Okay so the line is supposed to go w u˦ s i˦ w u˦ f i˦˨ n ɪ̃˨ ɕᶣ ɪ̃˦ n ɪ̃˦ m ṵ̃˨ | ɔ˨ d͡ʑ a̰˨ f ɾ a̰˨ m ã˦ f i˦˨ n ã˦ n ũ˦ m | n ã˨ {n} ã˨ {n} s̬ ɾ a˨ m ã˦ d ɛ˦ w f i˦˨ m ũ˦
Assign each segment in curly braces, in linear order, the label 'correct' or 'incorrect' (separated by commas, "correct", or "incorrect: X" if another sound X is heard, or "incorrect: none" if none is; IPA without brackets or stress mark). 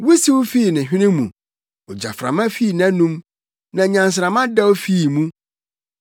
incorrect: ɲ, correct